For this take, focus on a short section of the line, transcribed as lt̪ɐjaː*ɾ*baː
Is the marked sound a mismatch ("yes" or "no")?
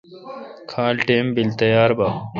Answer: no